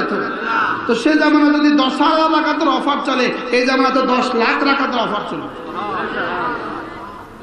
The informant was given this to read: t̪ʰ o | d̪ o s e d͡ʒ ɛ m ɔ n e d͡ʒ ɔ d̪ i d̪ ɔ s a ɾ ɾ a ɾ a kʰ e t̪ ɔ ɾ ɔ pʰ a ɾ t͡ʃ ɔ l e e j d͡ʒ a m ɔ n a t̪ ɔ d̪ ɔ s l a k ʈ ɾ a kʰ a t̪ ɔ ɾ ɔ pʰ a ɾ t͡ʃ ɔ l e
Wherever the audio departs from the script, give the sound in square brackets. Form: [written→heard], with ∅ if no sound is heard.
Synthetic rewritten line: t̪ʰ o | [d̪→t̪] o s e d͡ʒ [ɛ→a] m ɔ n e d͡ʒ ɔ d̪ i d̪ ɔ s a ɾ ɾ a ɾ a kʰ [e→a] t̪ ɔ ɾ ɔ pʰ a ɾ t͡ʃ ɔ l e e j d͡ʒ a m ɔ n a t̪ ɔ d̪ ɔ s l a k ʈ ɾ a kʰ a t̪ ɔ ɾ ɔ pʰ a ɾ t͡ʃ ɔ l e